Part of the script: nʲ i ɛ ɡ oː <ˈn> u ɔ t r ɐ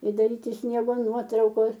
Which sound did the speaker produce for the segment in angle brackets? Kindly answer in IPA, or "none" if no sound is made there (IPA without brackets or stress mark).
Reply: n